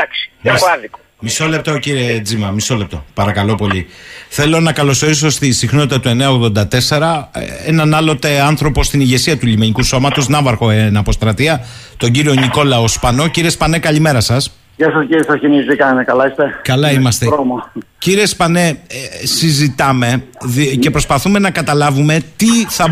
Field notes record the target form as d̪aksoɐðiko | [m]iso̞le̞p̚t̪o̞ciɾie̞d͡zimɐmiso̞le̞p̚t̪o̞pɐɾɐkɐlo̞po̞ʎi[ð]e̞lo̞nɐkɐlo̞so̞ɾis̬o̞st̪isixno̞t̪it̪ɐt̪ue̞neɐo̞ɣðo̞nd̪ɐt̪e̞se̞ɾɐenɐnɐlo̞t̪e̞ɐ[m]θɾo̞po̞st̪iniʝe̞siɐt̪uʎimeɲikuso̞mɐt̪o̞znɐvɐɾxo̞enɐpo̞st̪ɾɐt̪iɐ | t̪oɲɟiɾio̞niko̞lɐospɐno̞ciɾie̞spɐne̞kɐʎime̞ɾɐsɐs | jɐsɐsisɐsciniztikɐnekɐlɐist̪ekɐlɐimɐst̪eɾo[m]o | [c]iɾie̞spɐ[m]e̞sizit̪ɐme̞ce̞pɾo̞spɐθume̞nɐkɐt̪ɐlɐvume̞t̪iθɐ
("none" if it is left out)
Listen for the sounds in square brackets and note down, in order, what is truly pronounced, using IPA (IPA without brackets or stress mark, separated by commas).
m, θ, n, m, c, n